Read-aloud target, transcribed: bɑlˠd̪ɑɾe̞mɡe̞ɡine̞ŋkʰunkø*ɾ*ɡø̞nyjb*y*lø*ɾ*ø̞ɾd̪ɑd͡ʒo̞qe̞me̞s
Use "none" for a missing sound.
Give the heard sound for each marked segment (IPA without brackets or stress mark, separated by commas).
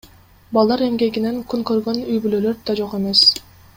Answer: ɾ, y, l